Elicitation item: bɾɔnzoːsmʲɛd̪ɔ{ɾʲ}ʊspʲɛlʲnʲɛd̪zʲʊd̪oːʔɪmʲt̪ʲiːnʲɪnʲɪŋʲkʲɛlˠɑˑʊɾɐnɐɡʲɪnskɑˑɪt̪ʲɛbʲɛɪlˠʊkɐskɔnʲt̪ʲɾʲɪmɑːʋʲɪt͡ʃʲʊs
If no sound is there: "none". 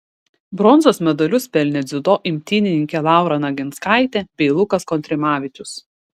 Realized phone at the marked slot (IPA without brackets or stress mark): lʲ